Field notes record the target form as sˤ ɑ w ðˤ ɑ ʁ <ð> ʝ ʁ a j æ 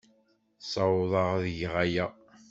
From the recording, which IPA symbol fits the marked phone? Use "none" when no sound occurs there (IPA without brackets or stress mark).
ð